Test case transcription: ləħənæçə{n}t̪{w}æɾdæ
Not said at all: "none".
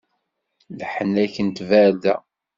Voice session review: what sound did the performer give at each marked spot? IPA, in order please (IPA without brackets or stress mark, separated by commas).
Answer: n, v